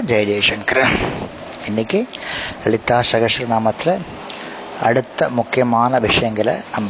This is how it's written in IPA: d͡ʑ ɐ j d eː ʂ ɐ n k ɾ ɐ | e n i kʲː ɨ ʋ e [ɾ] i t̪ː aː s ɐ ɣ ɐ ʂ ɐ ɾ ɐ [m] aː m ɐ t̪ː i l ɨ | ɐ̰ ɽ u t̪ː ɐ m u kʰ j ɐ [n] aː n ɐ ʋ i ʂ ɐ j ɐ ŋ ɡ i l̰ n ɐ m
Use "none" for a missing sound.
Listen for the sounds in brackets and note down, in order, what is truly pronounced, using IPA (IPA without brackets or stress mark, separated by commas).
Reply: ɭ, n, m